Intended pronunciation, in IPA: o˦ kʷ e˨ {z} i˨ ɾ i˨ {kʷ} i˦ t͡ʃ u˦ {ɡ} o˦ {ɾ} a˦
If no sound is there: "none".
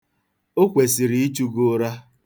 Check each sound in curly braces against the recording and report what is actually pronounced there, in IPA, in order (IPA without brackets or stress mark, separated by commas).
s, none, ɡ, ɾ